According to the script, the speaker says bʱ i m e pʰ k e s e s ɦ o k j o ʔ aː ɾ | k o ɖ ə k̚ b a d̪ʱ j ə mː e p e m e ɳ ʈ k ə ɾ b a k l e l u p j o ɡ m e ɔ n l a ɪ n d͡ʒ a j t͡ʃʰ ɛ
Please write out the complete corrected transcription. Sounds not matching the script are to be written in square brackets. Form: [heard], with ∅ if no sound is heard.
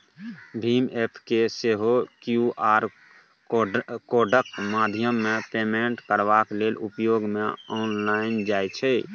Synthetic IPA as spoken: bʱ i m e pʰ k e s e [∅] ɦ o k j [u] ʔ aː ɾ | k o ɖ ə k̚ [m] a d̪ʱ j ə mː e p e m e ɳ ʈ k ə ɾ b a k l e l u p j o ɡ m e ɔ n l a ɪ n d͡ʒ a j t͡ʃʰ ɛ

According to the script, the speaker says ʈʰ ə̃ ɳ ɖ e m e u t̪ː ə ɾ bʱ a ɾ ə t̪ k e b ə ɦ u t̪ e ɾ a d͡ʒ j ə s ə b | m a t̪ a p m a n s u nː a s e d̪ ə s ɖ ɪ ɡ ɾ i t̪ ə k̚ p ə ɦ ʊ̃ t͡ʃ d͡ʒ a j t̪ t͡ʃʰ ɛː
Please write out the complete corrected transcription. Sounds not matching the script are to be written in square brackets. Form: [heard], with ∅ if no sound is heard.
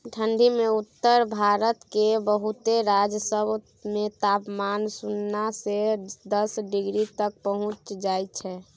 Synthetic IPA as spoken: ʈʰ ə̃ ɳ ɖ [i] m e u t̪ː ə ɾ bʱ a ɾ ə t̪ k e b ə ɦ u t̪ e ɾ a d͡ʒ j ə s ə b | m [e] t̪ a p m a n s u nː a s e d̪ ə s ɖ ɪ ɡ ɾ i t̪ ə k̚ p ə ɦ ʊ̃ t͡ʃ d͡ʒ a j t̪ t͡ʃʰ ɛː

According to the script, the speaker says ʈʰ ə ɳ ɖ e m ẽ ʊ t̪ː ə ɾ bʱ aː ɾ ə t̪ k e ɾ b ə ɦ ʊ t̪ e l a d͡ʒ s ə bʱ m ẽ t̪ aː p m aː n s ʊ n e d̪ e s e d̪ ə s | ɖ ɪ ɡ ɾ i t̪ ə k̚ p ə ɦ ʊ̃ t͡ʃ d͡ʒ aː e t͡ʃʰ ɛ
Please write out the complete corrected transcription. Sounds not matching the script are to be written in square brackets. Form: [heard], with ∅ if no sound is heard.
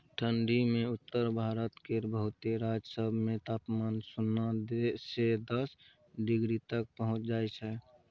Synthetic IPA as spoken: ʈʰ ə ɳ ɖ [i] m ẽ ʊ t̪ː ə ɾ bʱ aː ɾ ə t̪ k e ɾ b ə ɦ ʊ t̪ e [ɾ] a d͡ʒ s ə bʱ m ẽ t̪ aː p m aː n s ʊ n [a] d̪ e s e d̪ ə s | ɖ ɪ ɡ ɾ i t̪ ə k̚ p ə ɦ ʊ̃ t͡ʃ d͡ʒ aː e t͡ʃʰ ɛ

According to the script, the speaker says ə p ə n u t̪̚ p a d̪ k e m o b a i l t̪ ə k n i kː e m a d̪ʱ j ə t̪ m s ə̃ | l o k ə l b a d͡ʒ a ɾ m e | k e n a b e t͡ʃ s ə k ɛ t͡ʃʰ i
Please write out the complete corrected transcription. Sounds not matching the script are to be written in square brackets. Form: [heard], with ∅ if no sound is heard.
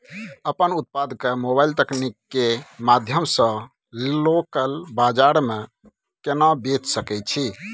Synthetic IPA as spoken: ə p ə n u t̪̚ p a d̪ k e m o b a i l t̪ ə k n i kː e m a d̪ʱ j ə [∅] m s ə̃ | l o k ə l b a d͡ʒ a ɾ m e | k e n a b e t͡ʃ s ə k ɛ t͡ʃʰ i

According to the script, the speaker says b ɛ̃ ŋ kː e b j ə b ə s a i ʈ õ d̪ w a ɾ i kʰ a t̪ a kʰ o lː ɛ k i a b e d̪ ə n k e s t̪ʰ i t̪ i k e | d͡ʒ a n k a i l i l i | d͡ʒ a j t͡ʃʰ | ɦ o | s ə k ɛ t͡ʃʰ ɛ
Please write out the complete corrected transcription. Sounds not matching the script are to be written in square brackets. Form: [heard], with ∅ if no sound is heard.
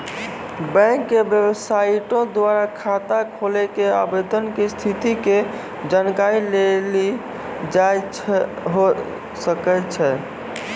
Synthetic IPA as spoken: b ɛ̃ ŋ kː e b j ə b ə s a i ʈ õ d̪ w a ɾ [a] kʰ a t̪ a kʰ o [l] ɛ k [e] a b e d̪ ə n k e s t̪ʰ i t̪ i k e | d͡ʒ a n k a i l [e] l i | d͡ʒ a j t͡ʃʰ | ɦ o | s ə k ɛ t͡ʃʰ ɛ

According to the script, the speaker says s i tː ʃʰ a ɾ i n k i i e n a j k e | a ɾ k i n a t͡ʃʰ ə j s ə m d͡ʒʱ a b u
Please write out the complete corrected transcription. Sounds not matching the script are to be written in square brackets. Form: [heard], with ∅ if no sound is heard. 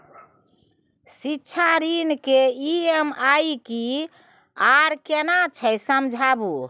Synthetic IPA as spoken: s i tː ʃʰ a ɾ i n k [e] i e [m] a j k [i] | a ɾ k [e] n a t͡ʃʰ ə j s ə m d͡ʒʱ a b u

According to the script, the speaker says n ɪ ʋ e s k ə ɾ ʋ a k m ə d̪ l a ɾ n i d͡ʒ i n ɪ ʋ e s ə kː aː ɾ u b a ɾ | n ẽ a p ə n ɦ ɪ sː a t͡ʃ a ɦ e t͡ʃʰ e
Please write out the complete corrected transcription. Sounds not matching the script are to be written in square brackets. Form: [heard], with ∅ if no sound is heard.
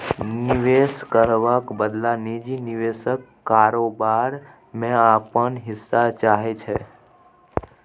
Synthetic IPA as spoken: n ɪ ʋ e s k ə ɾ ʋ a k [b] ə d̪ l a [∅] n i d͡ʒ i n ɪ ʋ e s ə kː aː ɾ [o] b a ɾ | [m] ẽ a p ə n ɦ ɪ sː a t͡ʃ a ɦ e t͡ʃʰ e

